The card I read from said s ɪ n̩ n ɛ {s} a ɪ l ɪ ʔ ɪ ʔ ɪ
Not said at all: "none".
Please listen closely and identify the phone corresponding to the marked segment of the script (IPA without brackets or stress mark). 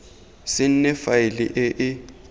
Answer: f